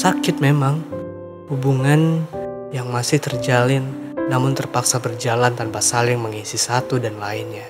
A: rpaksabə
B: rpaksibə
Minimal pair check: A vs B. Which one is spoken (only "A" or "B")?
A